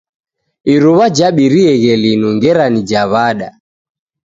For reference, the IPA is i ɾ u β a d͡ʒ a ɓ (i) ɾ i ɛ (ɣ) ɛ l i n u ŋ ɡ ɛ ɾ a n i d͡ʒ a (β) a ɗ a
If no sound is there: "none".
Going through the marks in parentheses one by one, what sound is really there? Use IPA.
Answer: i, ɣ, β

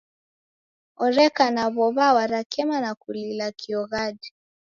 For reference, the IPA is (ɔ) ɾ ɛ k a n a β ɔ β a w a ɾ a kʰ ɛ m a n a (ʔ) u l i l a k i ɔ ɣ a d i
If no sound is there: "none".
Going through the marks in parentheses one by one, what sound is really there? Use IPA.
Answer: ɔ, k

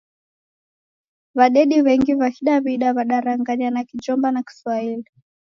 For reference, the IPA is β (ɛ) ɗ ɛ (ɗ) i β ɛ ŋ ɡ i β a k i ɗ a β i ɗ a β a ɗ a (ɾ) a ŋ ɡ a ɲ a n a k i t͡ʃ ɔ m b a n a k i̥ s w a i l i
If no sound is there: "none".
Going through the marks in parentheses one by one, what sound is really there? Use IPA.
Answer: a, ɗ, ɾ

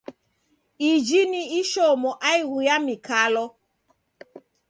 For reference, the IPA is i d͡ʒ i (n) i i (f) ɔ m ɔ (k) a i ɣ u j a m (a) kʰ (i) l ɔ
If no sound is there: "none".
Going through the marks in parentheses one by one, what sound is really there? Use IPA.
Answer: n, ʃ, ʔ, i, a

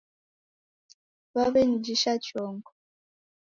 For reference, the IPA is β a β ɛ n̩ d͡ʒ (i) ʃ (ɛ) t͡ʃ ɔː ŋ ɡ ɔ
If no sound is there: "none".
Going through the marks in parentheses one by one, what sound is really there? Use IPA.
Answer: i, a

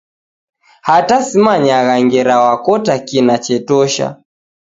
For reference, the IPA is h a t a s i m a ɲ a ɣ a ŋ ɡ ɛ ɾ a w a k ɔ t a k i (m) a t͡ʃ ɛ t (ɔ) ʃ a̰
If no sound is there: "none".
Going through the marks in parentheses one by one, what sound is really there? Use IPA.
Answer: n, ɔ

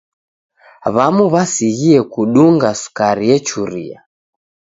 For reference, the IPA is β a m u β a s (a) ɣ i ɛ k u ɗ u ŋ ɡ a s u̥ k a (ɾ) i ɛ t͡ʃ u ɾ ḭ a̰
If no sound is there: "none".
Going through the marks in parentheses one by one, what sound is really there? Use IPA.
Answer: i, ɾ

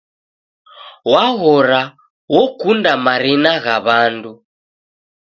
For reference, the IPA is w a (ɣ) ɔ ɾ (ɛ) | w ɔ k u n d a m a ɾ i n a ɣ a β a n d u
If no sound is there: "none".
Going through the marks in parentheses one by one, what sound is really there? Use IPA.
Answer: ɣ, a

